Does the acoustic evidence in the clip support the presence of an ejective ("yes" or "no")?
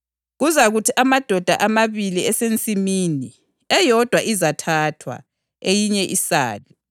yes